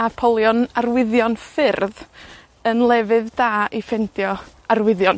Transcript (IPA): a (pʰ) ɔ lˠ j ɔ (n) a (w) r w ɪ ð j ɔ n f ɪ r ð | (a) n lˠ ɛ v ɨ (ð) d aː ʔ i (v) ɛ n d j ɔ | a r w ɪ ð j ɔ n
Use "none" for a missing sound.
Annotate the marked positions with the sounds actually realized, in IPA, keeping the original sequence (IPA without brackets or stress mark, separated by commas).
pʰ, n, none, ə, ð, f